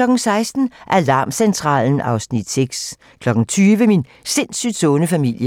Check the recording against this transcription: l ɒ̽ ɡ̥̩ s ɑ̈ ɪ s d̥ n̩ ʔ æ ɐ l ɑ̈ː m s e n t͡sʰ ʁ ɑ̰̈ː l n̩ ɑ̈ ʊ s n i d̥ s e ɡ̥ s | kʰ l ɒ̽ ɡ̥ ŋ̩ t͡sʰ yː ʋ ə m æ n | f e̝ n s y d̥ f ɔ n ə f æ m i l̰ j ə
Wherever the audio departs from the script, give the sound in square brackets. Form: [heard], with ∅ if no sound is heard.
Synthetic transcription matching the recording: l ɒ̽ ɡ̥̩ s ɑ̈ ɪ s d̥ n̩ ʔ æ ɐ l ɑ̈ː m s e n t͡sʰ ʁ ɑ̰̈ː l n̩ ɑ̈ ʊ s n i d̥ s e ɡ̥ s | kʰ l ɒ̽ ɡ̥ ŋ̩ t͡sʰ yː ʋ ə m [i] n | [s] e̝ n s y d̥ [s] ɔ n ə f æ m i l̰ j ə

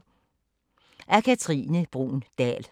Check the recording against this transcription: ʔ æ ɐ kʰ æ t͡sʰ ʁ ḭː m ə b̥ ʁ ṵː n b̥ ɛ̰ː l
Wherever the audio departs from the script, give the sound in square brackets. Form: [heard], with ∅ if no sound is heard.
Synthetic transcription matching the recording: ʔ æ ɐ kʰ æ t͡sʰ ʁ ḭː [n] ə b̥ ʁ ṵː n [d̥] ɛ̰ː l

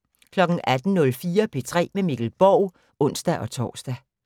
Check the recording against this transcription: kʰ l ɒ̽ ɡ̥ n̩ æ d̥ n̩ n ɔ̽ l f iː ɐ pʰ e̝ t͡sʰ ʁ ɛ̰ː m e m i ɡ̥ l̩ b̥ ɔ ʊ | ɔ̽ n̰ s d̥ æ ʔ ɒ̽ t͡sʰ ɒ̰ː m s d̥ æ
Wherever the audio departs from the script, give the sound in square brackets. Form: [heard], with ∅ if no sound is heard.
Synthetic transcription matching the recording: kʰ l ɒ̽ ɡ̥ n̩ æ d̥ n̩ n ɔ̽ l f iː ɐ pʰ e̝ t͡sʰ ʁ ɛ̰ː m e m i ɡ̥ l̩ b̥ [ɒ] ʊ | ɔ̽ n̰ s d̥ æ ʔ ɒ̽ t͡sʰ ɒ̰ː [∅] s d̥ æ

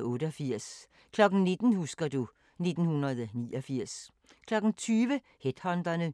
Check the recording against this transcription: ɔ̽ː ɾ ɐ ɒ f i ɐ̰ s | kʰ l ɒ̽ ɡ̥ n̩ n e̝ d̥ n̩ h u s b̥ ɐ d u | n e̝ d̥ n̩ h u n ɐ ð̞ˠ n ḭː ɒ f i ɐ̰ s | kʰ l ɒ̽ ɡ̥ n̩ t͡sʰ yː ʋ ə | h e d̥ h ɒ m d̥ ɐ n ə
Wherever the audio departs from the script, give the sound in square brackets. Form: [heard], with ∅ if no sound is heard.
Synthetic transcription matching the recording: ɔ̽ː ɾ [ə] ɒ f i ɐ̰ s | kʰ l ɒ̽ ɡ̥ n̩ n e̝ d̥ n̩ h u s [ɡ̥] ɐ d u | n e̝ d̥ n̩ h u n ɐ ð̞ˠ n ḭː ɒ f i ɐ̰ s | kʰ l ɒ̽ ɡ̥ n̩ t͡sʰ yː ʋ ə | h e d̥ h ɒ [n] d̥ ɐ n ə

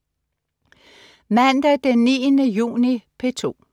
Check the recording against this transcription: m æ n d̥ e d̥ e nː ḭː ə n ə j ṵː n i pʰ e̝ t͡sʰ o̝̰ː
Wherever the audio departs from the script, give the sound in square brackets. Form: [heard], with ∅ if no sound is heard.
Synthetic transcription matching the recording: m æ n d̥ [æ] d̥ e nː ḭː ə n ə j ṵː n i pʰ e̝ t͡sʰ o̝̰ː

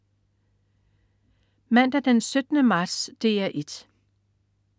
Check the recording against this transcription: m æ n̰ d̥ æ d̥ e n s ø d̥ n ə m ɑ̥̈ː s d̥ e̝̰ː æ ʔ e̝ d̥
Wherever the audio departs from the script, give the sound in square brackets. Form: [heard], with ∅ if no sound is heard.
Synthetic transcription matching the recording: m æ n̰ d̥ æ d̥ e n s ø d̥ n ə m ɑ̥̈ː s d̥ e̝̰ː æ ʔ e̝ d̥

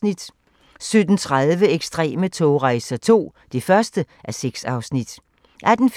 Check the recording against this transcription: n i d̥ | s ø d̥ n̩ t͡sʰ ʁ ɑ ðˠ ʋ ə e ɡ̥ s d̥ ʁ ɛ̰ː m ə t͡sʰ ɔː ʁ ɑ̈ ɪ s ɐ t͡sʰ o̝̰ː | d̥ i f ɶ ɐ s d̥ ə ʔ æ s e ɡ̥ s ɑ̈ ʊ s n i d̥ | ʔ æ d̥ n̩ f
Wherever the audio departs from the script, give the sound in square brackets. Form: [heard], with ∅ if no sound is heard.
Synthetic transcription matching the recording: n i d̥ | s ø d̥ n̩ t͡sʰ ʁ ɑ ðˠ ʋ ə e ɡ̥ s d̥ ʁ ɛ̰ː m ə t͡sʰ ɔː ʁ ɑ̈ ɪ s ɐ t͡sʰ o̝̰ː | d̥ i f ɶ ɐ s d̥ ə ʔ æ s e ɡ̥ s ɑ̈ ʊ s n i d̥ | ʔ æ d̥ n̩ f

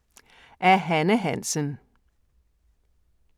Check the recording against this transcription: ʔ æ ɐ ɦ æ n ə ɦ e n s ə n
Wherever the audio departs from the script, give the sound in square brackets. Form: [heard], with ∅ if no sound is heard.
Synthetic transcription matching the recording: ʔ æ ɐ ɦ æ n ə ɦ [æ] n s ə n

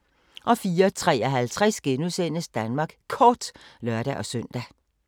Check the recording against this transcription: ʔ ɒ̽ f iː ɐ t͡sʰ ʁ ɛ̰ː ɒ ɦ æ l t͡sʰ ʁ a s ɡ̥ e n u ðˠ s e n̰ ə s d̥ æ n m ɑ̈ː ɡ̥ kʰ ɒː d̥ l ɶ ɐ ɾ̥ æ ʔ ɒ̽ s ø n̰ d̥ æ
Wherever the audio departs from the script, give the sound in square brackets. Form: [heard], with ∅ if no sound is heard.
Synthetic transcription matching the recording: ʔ ɒ̽ f iː ɐ t͡sʰ ʁ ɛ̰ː ɒ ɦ æ l t͡sʰ ʁ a s ɡ̥ e n u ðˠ s e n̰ ə s d̥ æ n m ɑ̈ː ɡ̥ kʰ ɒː d̥ l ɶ ɐ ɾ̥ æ ʔ ɒ̽ s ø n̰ d̥ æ

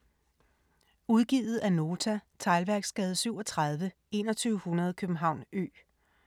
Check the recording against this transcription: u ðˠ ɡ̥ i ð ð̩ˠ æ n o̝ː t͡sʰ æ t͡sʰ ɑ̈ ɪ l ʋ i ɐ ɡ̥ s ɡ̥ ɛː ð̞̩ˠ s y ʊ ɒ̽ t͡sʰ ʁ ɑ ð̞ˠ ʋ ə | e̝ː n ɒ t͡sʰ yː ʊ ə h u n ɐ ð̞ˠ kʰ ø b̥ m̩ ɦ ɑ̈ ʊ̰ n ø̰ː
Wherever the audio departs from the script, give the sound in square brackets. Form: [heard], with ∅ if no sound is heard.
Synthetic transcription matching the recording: u ðˠ ɡ̥ i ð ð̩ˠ æ n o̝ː t͡sʰ æ t͡sʰ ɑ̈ ɪ l ʋ [æ] ɐ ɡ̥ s ɡ̥ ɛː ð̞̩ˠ s y ʊ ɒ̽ t͡sʰ ʁ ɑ ð̞ˠ ʋ ə | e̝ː n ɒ t͡sʰ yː ʊ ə h u n ɐ ð̞ˠ kʰ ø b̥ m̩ ɦ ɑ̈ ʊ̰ n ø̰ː

